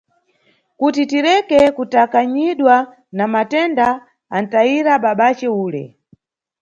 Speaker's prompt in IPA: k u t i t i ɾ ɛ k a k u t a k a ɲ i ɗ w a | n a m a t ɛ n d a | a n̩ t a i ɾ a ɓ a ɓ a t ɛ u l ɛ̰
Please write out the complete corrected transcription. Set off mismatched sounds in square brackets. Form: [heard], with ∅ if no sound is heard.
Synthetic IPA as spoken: k u t i t i ɾ ɛ k [ɛ] k u t a k a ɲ i ɗ w a | n a m a t ɛ n d a | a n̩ t a i ɾ a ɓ a ɓ a [t͡ʃ] ɛ [uː] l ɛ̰